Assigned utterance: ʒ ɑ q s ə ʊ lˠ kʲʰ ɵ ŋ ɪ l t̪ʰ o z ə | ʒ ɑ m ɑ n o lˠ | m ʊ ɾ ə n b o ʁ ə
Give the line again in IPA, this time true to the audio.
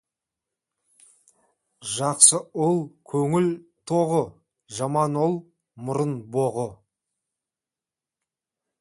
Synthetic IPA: ʒ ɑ q s ə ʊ lˠ kʲʰ ɵ ŋ ɪ l t̪ʰ o ʁ ə | ʒ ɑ m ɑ n o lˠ | m ʊ ɾ ə n b o ʁ ə